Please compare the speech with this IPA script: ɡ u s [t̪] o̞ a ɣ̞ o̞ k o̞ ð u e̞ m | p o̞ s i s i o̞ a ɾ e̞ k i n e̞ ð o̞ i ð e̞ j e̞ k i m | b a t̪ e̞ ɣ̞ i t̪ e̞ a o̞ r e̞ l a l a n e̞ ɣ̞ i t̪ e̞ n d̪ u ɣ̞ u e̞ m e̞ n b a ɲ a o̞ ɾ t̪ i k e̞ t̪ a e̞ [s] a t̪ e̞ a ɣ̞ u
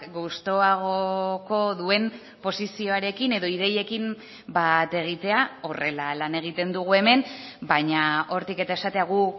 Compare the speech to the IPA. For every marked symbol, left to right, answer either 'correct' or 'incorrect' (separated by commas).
correct, correct